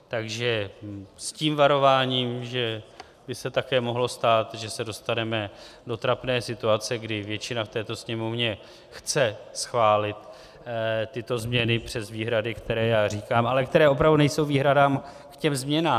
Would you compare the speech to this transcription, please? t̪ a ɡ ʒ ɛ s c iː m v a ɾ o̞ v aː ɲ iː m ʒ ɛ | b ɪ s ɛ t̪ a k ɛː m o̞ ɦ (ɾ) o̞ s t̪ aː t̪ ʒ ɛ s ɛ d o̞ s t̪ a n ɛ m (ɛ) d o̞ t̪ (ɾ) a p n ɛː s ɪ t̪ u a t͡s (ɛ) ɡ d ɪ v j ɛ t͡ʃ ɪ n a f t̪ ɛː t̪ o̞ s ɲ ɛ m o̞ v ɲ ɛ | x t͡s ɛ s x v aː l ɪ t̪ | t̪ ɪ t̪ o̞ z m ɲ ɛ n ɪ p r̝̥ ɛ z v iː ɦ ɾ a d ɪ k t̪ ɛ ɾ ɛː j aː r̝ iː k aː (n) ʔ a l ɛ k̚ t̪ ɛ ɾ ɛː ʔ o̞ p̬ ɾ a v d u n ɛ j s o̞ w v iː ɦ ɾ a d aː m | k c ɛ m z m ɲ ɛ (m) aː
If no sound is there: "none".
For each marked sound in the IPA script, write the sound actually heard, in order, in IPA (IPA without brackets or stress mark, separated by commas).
l, ɛ, ɾ, ɛ, m, n